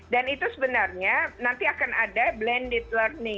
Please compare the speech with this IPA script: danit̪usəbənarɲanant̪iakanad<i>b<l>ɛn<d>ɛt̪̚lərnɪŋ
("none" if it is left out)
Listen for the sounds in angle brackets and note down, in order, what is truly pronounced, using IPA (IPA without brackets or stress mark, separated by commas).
a, l, d